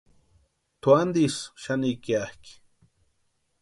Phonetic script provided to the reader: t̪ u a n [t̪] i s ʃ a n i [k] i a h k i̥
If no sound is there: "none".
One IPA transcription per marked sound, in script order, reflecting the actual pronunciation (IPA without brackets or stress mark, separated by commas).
d̪, k